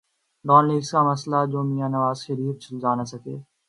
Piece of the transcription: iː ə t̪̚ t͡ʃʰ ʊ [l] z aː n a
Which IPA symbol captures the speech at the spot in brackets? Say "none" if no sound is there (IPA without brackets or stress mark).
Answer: l